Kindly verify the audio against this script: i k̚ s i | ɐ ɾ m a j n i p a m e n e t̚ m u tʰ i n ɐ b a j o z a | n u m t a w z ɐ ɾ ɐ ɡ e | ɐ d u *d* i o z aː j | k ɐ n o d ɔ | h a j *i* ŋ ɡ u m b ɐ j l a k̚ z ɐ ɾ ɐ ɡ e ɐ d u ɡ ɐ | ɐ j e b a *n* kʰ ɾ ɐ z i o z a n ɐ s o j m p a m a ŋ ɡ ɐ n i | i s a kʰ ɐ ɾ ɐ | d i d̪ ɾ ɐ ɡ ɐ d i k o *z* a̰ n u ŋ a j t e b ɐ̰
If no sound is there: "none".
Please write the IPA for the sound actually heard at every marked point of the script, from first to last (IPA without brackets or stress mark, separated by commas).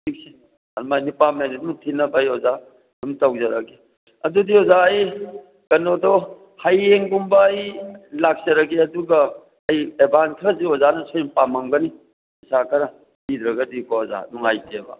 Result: d, e, n, z